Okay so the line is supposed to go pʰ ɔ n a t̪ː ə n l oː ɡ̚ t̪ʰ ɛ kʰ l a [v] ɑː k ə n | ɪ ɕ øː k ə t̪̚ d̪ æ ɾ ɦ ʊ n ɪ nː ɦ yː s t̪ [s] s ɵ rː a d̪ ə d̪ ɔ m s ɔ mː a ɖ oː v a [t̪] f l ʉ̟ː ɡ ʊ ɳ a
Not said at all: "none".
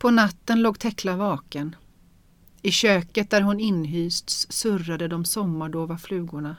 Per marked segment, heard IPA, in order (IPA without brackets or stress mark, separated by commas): v, s, none